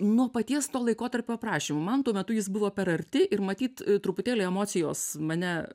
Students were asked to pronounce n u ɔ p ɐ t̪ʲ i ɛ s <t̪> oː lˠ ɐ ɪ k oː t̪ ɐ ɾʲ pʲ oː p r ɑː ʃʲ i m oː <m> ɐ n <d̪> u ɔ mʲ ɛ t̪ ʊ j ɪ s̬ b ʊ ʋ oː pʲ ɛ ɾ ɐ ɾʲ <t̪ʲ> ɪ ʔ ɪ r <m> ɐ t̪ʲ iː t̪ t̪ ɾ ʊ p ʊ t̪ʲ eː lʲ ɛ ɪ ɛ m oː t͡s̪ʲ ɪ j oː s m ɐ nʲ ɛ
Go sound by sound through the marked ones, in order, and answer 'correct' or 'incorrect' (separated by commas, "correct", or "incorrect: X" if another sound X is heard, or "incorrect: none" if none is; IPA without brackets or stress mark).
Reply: correct, correct, incorrect: t̪, correct, correct